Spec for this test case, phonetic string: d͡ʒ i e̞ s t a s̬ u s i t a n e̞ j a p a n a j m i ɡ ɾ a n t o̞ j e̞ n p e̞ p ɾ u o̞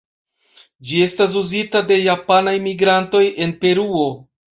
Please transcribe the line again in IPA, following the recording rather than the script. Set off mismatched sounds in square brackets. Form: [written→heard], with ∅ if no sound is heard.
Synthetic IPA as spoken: d͡ʒ i e̞ s t a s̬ u [s→z] i t a [n→d] e̞ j a p a n a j m i ɡ ɾ a n t o̞ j e̞ n p e̞ [p→∅] ɾ u o̞

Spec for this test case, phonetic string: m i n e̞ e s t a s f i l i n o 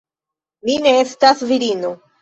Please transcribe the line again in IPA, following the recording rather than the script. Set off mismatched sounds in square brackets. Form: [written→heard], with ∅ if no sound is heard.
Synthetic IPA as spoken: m i n e̞ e s t a s [f→v] i [l→ɾ] i n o

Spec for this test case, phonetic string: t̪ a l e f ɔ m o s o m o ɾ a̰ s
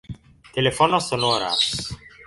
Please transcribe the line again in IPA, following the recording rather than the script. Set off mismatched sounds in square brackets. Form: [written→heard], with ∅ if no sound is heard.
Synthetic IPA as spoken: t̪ [a→e] l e f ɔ [m→n] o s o [m→n] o ɾ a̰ s

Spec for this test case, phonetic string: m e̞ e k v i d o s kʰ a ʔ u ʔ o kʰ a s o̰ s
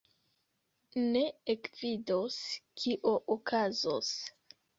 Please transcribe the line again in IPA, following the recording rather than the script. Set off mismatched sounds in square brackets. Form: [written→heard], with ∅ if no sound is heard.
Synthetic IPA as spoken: [m→n] e̞ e k v i d o s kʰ [a→i] ʔ [u→o] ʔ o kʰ a [s→z] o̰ s

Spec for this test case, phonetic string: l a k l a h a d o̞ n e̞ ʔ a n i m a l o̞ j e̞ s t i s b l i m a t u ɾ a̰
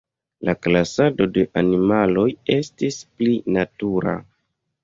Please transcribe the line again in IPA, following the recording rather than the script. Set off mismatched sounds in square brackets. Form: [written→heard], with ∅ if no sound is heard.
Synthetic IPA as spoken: l a k l a [h→s] a d o̞ [n→d] e̞ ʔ a n i m a l o̞ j e̞ s t i s [b→p] l i [m→n] a t u ɾ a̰

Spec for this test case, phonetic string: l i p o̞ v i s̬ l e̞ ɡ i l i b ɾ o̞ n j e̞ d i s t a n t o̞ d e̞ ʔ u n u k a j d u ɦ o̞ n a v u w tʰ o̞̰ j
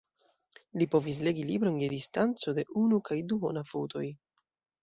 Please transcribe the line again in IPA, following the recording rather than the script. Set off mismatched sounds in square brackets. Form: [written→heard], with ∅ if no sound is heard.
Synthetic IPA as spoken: l i p o̞ v i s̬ l e̞ ɡ i l i b ɾ o̞ n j e̞ d i s t a n [t→t͡s] o̞ d e̞ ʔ u n u k a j d u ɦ o̞ n a [v→f] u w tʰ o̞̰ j

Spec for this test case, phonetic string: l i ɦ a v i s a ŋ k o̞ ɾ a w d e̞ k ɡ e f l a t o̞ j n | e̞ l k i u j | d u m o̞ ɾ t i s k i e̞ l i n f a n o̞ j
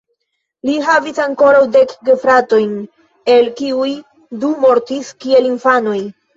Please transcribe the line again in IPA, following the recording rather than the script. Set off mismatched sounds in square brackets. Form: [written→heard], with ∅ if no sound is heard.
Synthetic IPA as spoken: l i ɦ a v i s a ŋ k o̞ ɾ a w d e̞ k ɡ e f [l→ɾ] a t o̞ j n | e̞ l k i u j | d u m o̞ ɾ t i s k i e̞ l i n f a n o̞ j

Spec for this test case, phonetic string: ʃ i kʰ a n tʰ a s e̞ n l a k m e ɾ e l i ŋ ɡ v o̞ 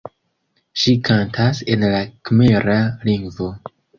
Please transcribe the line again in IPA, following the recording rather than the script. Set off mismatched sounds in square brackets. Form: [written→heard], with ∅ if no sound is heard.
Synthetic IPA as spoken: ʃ i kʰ a n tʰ a s e̞ n l a k m e ɾ [e→a] l i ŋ ɡ v o̞

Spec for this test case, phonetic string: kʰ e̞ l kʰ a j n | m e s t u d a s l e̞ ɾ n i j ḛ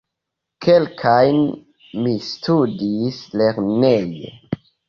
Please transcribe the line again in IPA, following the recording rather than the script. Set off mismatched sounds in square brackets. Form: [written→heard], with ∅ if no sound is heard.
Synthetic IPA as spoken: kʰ e̞ l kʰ a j n | m [e→i] s t u d [a→i] s l e̞ ɾ n [i→e] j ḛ

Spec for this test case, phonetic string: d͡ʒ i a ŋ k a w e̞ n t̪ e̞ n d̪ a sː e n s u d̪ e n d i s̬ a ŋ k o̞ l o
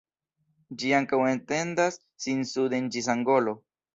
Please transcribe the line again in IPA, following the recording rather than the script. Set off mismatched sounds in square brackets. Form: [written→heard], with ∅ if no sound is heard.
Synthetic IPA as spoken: d͡ʒ i a ŋ k a w e̞ n t̪ e̞ n d̪ a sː [e→i] n s u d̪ e n [d→d͡ʒ] i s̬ a ŋ [k→ɡ] o̞ l o

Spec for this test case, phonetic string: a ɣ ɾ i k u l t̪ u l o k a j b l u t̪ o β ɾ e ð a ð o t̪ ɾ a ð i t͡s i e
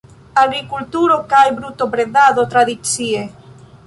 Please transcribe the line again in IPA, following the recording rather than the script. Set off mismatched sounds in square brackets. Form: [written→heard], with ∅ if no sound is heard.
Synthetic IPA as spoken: a ɣ ɾ i k u l t̪ u [l→ɾ] o k a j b [l→ɾ] u t̪ o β ɾ e ð a ð o t̪ ɾ a ð i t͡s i e

